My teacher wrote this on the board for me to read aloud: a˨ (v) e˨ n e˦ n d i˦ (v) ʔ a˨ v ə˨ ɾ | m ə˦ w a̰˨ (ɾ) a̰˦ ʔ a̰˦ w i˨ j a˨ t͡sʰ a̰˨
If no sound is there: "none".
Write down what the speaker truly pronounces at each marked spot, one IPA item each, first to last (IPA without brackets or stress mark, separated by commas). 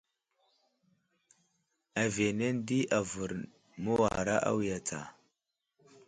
v, none, ɾ